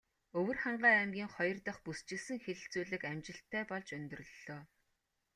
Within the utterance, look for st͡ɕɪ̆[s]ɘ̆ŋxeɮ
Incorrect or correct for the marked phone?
correct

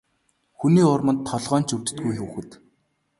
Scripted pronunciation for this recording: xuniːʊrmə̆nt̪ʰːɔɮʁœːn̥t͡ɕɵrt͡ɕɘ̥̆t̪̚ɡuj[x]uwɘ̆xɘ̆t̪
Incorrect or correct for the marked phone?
correct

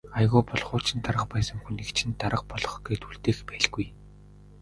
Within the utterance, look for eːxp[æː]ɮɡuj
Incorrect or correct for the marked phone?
correct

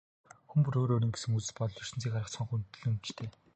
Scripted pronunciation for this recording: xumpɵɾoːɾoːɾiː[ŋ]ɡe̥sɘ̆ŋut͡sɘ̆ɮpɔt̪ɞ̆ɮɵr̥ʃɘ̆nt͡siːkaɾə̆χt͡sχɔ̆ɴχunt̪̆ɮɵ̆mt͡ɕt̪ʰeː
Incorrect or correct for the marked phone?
correct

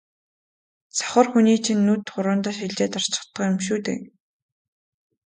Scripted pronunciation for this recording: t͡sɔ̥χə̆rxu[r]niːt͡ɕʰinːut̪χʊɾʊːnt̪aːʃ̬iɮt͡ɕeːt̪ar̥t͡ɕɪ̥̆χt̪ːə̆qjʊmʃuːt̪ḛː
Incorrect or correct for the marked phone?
incorrect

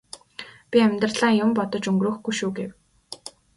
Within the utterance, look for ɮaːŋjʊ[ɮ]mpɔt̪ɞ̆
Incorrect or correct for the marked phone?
incorrect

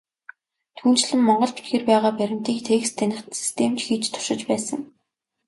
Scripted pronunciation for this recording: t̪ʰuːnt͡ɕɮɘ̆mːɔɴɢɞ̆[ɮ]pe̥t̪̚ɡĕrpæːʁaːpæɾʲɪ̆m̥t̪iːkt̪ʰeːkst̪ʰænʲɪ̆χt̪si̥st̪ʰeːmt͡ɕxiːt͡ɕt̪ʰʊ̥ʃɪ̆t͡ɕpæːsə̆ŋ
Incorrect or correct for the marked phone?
correct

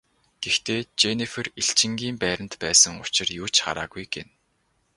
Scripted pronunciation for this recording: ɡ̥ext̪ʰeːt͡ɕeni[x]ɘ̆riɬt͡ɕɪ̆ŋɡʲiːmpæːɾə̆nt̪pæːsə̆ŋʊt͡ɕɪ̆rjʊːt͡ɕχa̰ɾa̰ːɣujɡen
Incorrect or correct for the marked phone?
incorrect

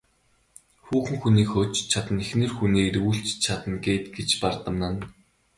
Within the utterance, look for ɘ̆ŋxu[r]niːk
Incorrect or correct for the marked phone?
incorrect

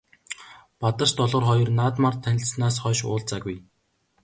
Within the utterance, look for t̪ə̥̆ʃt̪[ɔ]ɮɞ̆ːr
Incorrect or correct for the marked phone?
correct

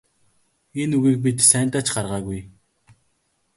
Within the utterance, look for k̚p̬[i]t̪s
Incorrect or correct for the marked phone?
correct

